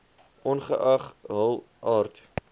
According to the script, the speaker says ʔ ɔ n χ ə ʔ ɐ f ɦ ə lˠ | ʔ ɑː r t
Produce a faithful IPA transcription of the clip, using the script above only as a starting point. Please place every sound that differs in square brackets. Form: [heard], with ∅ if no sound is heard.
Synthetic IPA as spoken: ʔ ɔ n χ ə ʔ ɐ [χ] ɦ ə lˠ | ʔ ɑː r t